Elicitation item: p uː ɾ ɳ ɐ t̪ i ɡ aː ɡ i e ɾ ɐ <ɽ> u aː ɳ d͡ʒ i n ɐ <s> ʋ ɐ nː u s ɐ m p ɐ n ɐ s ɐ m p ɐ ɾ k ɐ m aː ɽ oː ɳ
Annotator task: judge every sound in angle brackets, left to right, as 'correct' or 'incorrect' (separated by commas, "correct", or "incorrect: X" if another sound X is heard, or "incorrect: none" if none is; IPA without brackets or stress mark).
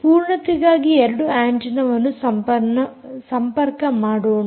correct, incorrect: none